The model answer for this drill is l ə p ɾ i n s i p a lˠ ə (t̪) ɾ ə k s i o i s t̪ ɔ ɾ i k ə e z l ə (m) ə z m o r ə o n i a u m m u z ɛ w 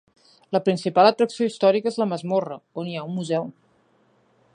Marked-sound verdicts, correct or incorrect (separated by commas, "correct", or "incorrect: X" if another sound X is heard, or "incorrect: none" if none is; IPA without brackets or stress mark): correct, correct